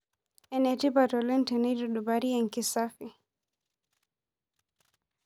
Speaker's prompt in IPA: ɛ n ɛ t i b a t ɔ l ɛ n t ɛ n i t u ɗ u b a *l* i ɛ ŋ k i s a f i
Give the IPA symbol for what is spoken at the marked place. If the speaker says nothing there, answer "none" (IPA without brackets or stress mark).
ɾ